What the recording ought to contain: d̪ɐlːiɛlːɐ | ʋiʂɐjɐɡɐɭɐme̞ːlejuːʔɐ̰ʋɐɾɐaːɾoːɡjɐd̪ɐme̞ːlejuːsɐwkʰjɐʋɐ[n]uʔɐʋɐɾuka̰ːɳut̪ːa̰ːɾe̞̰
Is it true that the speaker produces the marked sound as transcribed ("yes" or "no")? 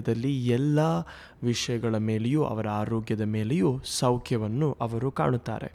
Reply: no